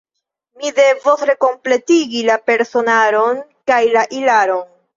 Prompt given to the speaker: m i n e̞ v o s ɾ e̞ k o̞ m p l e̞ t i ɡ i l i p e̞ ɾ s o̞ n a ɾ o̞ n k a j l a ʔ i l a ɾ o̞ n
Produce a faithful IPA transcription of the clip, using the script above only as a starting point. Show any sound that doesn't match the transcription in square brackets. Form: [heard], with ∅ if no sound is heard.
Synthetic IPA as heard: m i [d] e̞ v o s ɾ e̞ k o̞ m p l e̞ t i ɡ i l [a] p e̞ ɾ s o̞ n a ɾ o̞ n k a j l a ʔ i l a ɾ o̞ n